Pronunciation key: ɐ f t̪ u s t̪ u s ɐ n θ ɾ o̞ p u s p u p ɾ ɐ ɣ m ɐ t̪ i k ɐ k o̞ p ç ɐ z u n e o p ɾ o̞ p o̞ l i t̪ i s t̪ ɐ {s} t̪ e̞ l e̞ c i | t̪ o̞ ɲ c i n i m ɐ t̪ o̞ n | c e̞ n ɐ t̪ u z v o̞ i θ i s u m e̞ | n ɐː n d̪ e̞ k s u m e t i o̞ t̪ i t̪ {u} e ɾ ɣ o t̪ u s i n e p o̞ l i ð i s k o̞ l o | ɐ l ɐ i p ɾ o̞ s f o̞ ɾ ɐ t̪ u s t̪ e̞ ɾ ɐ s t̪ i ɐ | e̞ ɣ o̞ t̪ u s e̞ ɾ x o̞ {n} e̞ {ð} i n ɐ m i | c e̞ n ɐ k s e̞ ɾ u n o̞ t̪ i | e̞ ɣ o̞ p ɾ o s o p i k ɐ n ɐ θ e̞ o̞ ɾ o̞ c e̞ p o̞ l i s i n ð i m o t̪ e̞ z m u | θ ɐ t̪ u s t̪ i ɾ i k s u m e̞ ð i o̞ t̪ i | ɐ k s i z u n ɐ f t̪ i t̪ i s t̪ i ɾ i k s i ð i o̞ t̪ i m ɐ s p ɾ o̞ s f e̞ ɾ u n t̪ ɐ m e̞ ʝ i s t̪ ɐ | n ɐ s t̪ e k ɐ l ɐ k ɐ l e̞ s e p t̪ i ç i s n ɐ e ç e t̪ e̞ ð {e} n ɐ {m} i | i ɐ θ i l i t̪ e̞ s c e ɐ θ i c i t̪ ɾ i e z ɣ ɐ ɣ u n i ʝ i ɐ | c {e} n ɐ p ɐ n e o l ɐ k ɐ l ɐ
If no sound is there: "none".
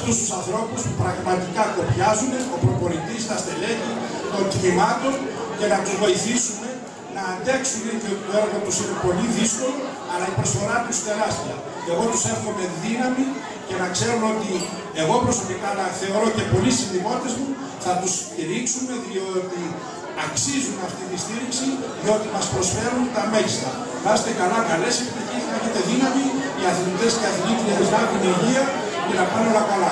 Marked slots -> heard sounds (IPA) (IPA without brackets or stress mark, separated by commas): s, o, m, ð, i, m, e